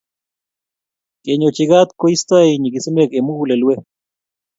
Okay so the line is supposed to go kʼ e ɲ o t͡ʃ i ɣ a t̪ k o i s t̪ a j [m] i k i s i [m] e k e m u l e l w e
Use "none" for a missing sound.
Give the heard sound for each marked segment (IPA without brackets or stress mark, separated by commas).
ɲ, m